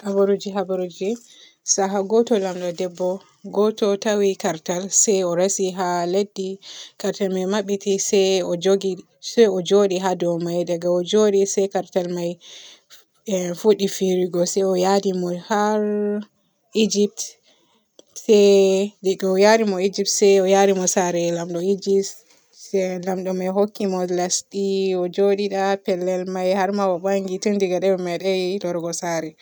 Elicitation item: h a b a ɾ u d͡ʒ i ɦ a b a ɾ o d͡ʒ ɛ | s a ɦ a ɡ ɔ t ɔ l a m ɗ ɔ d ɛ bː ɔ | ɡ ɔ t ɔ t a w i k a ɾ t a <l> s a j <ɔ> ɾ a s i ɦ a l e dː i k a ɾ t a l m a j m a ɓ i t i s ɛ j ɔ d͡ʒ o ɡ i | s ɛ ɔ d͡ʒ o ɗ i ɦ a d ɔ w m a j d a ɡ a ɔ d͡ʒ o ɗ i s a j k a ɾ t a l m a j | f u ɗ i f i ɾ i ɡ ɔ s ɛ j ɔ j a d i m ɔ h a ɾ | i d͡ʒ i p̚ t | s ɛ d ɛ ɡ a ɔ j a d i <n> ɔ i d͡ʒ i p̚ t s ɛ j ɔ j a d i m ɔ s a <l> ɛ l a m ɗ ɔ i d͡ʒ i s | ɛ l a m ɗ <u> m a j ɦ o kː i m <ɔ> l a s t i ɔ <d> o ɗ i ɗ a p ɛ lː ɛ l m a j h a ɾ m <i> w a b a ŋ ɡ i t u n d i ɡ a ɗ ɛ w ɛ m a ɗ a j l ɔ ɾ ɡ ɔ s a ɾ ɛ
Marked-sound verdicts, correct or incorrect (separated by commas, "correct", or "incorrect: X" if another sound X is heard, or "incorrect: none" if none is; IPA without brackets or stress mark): correct, correct, incorrect: m, incorrect: ɾ, incorrect: ɔ, correct, incorrect: d͡ʒ, incorrect: a